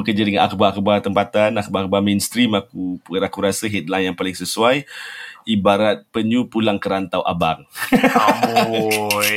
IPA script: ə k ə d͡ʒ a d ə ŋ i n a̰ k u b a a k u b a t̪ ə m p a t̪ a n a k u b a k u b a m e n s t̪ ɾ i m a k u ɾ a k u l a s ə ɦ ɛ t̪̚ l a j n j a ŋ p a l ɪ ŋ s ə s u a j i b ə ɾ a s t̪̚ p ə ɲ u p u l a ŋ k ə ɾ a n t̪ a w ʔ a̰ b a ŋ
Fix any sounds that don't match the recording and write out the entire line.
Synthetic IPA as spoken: ə k ə d͡ʒ a d ə ŋ a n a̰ k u b a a k u b a t̪ ə m p a t̪ a n a k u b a k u b a m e n s t̪ ɾ i m a k u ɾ a k u ɾ a s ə ɦ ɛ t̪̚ l a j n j a ŋ p a l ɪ ŋ s ə s u a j i b a ɾ a t̪̚ p ə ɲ u p u l a ŋ k ə ɾ a n t̪ a w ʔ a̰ b a ŋ